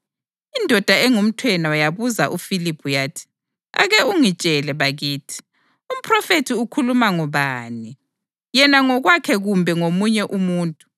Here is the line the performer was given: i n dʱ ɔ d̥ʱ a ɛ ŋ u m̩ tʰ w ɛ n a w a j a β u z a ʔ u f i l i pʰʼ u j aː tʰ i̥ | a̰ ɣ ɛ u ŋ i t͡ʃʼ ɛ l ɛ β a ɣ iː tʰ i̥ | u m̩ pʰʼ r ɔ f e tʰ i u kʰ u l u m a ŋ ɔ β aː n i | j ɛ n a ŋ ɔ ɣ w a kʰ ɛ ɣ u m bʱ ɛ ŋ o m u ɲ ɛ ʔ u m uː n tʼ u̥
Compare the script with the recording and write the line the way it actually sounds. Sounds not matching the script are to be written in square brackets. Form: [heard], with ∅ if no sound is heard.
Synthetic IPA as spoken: i n dʱ ɔ d̥ʱ a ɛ ŋ u m̩ tʰ w ɛ n a w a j a β u z a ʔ u f i l i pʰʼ u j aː tʰ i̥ | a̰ ɣ ɛ u ŋ i t͡ʃʼ ɛ l ɛ β a ɣ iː tʰ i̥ | u m̩ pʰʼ r ɔ f e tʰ i u kʰ u l u m a ŋ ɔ β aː n i | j ɛ n a ŋ ɔ ɣ w a kʰ ɛ ɣ u m bʱ ɛ ŋ o m u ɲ ɛ ʔ u m uː n tʼ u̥

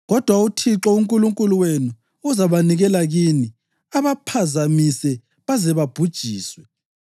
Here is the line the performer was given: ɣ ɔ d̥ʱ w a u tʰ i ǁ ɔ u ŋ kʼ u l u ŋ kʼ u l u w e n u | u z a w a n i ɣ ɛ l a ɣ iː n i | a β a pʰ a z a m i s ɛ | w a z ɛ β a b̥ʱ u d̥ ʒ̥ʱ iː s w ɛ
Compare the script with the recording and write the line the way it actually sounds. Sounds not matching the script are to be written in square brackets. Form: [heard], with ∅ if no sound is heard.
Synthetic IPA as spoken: ɣ ɔ d̥ʱ w a u tʰ i ǁ ɔ u ŋ kʼ u l u ŋ kʼ u l u w e n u | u z a [β] a n i ɣ ɛ l a ɣ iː n i | a β a pʰ a z a m i s ɛ | [β] a z ɛ β a b̥ʱ u d̥ ʒ̥ʱ iː s w ɛ

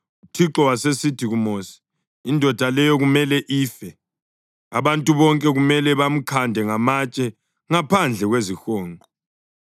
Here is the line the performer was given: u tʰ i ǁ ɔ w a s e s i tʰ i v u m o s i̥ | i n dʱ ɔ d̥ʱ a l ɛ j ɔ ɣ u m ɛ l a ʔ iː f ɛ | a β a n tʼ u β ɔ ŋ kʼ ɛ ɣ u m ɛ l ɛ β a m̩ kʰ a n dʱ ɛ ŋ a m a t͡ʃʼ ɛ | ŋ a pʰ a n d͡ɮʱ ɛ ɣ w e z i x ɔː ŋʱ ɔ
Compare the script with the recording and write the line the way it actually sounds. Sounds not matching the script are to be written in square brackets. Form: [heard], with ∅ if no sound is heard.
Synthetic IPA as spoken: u tʰ i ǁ ɔ w a s e s i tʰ i [ɣ] u m o s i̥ | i n dʱ ɔ d̥ʱ a l ɛ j ɔ ɣ u m ɛ l [ɛ] ʔ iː f ɛ | a β a n tʼ u β ɔ ŋ kʼ ɛ ɣ u m ɛ l ɛ β a m̩ kʰ a n dʱ ɛ ŋ a m a t͡ʃʼ ɛ | ŋ a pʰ a n d͡ɮʱ ɛ ɣ w e z i x ɔː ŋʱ ɔ

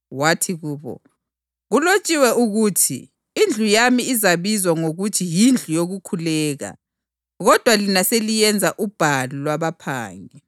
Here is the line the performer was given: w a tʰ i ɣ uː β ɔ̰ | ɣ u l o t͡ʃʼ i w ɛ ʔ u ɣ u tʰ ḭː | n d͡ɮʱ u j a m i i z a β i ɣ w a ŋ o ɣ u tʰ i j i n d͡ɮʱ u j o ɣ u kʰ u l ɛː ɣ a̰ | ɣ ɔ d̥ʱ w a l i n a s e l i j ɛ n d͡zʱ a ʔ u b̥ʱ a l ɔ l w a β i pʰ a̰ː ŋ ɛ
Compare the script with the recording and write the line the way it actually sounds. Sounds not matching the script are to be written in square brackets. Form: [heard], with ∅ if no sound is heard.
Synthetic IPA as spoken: w a tʰ i ɣ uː β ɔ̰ | ɣ u l o t͡ʃʼ i w ɛ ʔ u ɣ u tʰ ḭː | n d͡ɮʱ u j a m i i z a β i [z] w a ŋ o ɣ u tʰ i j i n d͡ɮʱ u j o ɣ u kʰ u l ɛː ɣ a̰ | ɣ ɔ d̥ʱ w a l i n a s e l i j ɛ n d͡zʱ a ʔ u b̥ʱ a l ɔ l w a β [a] pʰ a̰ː ŋ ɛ

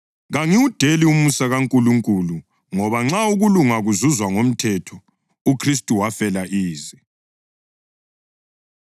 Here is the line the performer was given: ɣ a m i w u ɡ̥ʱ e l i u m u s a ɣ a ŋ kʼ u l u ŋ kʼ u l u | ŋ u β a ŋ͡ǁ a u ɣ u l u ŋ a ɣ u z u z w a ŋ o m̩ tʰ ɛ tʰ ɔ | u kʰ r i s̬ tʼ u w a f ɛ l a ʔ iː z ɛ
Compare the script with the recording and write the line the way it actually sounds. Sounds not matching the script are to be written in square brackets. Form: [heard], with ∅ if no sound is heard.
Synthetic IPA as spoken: ɣ a [ŋ] i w u [d̥ʱ] e l i u m u s a ɣ a ŋ kʼ u l u ŋ kʼ u l u | ŋ [ɔ] β a ŋ͡ǁ a u ɣ u l u ŋ a ɣ u z u z w a ŋ o m̩ tʰ ɛ tʰ ɔ | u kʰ r i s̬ tʼ u w a f ɛ l a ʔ iː z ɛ

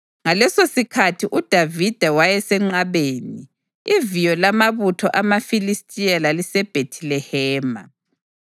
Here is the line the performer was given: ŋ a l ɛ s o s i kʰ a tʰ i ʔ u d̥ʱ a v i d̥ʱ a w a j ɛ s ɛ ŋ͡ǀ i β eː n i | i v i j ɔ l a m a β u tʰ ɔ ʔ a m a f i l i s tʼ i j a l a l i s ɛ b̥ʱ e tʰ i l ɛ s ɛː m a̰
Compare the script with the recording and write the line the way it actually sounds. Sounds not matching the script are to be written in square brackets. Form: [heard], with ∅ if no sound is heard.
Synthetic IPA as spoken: ŋ a l ɛ s o s i kʰ a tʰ i ʔ u d̥ʱ a v i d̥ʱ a w a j ɛ s ɛ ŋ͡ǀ [a] β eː n i | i v i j ɔ l a m a β u tʰ ɔ ʔ a m a f i l i s tʼ i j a l a l i s ɛ b̥ʱ e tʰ i l ɛ [h] ɛː m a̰

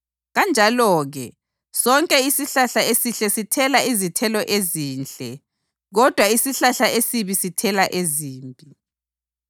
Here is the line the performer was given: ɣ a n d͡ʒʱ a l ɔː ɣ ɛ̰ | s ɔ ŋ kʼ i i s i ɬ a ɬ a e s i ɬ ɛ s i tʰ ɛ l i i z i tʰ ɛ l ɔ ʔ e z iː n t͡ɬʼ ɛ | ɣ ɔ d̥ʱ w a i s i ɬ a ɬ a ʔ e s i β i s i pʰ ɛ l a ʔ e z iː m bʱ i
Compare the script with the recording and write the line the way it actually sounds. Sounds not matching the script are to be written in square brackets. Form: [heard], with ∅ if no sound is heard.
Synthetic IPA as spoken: ɣ a n d͡ʒʱ a l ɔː ɣ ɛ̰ | s ɔ ŋ kʼ [ɛ] i s i ɬ a ɬ a e s i ɬ ɛ s i tʰ ɛ l [a] i z i tʰ ɛ l ɔ ʔ e z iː n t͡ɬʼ ɛ | ɣ ɔ d̥ʱ w a i s i ɬ a ɬ a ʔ e s i β i s i [tʰ] ɛ l a ʔ e z iː m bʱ i

